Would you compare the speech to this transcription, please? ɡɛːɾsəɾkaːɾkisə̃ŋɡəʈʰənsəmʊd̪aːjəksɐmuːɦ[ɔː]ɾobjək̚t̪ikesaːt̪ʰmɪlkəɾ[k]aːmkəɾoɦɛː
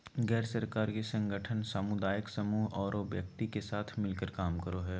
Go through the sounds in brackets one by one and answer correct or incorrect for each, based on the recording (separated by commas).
correct, correct